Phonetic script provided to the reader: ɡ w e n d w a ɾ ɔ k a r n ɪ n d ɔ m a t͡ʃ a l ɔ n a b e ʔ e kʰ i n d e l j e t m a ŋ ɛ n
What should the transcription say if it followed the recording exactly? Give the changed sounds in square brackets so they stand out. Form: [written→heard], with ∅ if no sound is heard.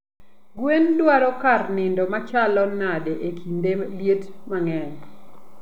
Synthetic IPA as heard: ɡ w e n d w a ɾ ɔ k a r n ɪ n d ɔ m a t͡ʃ a l ɔ n a [b→d] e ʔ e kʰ i n d e l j e t m a ŋ ɛ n